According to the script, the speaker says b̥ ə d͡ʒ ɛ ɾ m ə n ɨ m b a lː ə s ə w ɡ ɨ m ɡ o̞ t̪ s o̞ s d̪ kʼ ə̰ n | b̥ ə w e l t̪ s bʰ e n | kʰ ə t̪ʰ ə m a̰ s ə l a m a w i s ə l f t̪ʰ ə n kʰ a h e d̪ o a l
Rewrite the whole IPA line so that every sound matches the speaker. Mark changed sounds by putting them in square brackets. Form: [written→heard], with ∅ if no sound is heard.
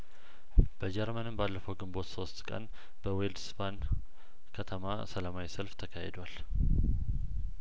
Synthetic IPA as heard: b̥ ə d͡ʒ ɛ ɾ m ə n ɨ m b a lː ə [s→f] ə w ɡ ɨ m [ɡ→b] o̞ t̪ s o̞ s [d̪→t̪] kʼ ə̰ n | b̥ ə w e l [t̪→d̪] s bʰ [e→a] n | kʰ ə t̪ʰ ə m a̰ s ə l a m a w i s ə l f t̪ʰ ə [n→∅] kʰ a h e d̪ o a l